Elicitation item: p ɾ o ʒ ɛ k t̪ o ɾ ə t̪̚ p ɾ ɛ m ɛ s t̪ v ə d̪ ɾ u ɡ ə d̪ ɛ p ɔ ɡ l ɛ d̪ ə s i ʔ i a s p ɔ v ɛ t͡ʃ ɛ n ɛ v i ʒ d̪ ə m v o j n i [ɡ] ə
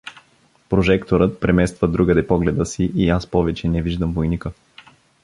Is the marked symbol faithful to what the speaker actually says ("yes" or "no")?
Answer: no